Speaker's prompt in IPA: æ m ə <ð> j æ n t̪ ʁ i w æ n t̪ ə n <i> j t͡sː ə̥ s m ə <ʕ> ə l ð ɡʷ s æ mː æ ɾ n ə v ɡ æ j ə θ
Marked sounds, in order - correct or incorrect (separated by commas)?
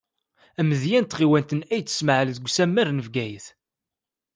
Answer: correct, incorrect, correct